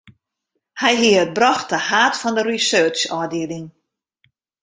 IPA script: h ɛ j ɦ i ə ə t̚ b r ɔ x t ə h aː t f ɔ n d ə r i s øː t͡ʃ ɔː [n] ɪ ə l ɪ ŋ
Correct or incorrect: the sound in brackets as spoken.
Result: incorrect: d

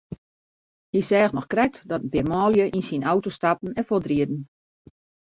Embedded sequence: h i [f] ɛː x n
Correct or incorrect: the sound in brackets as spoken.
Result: incorrect: s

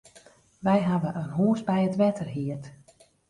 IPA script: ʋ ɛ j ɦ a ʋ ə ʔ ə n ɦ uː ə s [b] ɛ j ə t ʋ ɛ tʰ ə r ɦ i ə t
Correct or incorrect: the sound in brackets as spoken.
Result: correct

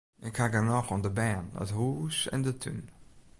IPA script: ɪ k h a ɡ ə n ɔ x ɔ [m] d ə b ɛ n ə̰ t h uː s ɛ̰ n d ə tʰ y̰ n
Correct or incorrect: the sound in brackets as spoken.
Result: incorrect: n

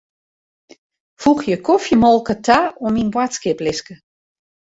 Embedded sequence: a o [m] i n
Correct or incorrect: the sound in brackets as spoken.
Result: correct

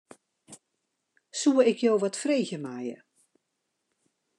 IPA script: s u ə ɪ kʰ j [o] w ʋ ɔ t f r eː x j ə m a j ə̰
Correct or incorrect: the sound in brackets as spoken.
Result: correct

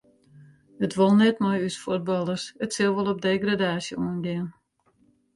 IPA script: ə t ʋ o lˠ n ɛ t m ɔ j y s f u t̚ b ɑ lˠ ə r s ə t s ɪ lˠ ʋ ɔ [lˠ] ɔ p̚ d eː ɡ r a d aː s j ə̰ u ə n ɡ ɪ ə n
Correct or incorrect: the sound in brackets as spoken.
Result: correct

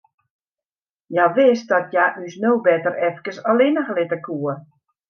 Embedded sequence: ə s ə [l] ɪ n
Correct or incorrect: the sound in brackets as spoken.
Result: correct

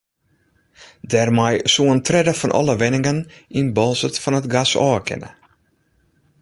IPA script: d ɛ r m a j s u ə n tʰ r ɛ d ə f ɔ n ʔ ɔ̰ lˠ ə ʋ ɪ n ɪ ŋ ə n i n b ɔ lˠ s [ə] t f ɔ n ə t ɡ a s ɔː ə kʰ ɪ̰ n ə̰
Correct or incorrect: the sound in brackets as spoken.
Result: correct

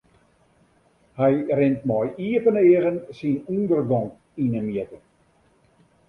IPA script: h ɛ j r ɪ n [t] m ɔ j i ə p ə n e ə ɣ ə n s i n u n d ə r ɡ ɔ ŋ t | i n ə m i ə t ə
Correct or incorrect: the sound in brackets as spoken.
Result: correct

